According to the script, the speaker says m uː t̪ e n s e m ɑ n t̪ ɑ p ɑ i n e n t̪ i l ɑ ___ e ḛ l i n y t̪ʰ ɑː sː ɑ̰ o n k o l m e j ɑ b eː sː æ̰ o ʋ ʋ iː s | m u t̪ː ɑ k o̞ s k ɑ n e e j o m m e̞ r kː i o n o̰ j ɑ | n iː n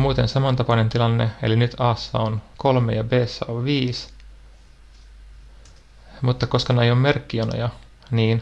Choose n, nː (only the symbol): nː